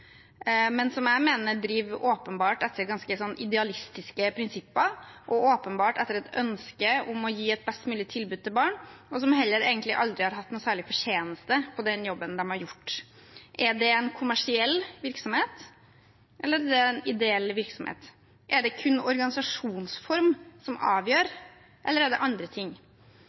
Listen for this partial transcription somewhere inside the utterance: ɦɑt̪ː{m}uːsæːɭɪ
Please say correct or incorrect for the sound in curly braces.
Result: incorrect: n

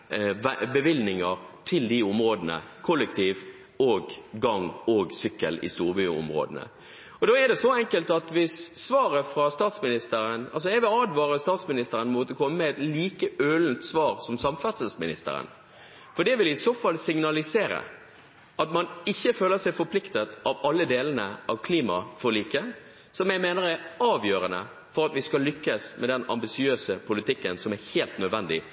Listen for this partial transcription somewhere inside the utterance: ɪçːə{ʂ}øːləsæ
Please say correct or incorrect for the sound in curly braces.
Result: incorrect: f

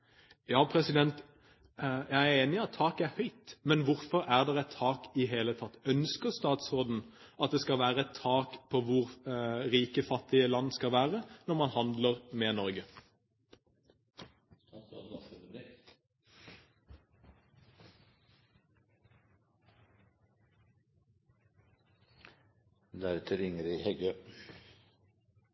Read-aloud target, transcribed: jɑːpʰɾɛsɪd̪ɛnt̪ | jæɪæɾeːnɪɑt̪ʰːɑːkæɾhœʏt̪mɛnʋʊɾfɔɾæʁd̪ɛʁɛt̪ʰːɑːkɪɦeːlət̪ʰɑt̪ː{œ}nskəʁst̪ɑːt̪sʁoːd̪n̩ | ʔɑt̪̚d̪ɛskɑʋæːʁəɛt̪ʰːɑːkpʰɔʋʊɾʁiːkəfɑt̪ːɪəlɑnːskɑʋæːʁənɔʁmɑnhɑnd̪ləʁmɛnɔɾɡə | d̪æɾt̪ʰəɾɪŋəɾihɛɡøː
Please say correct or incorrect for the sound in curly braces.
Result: correct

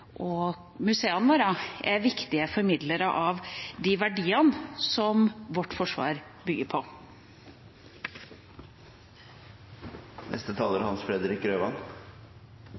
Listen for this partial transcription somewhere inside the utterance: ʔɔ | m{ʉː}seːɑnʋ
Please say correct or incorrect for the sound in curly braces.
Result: incorrect: ʉ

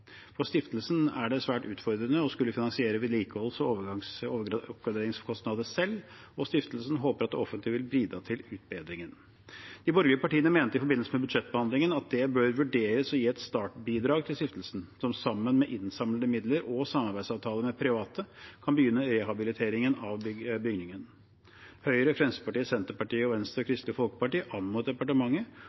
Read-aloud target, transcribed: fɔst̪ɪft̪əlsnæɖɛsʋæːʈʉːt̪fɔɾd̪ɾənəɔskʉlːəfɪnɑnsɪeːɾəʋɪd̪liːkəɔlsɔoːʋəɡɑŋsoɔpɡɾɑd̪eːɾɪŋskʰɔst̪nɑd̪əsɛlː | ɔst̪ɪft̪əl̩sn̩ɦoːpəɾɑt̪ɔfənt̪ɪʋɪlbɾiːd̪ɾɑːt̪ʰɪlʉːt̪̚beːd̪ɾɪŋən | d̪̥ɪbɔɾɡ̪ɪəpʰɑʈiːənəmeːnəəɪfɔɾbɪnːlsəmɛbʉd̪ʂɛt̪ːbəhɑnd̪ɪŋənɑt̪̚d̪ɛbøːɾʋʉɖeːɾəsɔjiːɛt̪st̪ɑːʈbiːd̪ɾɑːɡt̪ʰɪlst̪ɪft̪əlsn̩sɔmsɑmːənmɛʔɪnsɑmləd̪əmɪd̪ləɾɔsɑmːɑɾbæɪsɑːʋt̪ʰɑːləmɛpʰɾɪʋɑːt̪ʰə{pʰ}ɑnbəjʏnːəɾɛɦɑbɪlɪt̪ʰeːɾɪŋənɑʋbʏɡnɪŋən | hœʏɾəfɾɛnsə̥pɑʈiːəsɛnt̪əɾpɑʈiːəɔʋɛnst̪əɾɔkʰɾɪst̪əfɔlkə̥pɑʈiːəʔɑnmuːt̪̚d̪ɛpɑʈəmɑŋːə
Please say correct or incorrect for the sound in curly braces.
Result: incorrect: kʰ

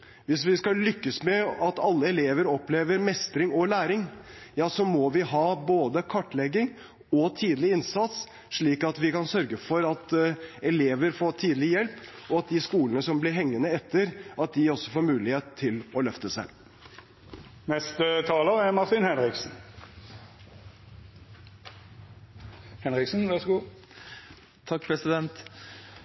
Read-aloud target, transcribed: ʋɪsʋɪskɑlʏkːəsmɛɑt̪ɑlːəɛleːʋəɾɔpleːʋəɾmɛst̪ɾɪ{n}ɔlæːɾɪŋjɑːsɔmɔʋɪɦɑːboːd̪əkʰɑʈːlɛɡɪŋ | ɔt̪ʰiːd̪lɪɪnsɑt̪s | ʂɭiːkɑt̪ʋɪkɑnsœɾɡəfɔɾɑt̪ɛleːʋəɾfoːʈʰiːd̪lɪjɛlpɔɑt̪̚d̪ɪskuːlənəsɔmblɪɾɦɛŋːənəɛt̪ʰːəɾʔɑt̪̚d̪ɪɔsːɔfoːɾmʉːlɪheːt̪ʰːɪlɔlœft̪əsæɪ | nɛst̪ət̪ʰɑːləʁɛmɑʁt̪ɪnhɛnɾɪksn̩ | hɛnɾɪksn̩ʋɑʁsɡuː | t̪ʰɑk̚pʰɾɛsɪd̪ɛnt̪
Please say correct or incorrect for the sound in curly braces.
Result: incorrect: ŋ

